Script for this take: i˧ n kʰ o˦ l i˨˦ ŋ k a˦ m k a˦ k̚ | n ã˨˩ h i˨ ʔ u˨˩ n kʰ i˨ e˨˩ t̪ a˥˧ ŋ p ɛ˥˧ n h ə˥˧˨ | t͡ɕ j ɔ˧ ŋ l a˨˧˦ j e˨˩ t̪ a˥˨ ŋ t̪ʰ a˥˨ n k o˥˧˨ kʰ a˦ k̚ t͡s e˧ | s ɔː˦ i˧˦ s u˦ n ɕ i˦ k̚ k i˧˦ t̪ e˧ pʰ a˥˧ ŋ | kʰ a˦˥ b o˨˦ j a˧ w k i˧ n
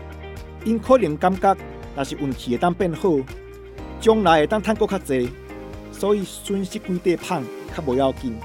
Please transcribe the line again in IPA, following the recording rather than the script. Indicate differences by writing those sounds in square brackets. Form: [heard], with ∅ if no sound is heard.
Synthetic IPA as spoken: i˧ n kʰ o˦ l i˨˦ ŋ k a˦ m k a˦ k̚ | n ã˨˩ [ɕ] i˨ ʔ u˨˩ n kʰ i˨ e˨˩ t̪ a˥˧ ŋ p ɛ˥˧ n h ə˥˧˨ | t͡ɕ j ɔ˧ ŋ l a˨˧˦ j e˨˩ t̪ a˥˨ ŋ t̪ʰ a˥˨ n k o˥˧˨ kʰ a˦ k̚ t͡s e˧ | s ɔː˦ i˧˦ s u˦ n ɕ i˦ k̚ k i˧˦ t̪ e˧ pʰ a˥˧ ŋ | kʰ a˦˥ b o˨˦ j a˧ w k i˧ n